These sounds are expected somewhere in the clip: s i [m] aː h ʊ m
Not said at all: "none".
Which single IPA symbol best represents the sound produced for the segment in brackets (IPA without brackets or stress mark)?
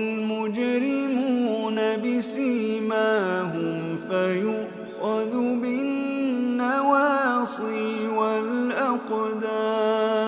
m